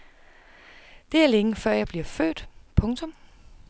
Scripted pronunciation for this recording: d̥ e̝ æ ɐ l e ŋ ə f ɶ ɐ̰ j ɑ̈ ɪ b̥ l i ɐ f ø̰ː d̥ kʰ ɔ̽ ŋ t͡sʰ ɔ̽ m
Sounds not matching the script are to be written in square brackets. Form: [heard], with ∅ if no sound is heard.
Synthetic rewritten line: d̥ e̝ æ ɐ l e ŋ ə f ɶ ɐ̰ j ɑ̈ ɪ b̥ l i ɐ f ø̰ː d̥ [pʰ] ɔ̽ ŋ t͡sʰ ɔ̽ m